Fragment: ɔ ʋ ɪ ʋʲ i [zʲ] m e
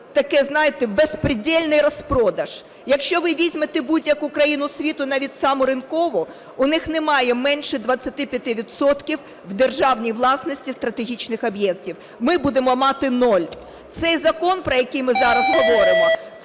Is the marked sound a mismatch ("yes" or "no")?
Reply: no